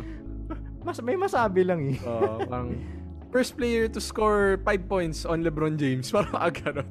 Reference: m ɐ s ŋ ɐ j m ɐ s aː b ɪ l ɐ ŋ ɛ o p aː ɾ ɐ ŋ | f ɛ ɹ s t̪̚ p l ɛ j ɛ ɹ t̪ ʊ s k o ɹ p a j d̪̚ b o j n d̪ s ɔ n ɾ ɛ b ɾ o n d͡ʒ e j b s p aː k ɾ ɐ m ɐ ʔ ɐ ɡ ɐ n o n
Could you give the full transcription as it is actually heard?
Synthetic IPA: m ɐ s m ɐ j m ɐ s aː b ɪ l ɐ ŋ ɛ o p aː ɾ ɐ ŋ | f ɛ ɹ s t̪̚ p l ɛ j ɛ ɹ t̪ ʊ s k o ɹ p a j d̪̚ p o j n t̪ s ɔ n l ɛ b ɾ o n d͡ʒ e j m s p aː ɾ ɐ m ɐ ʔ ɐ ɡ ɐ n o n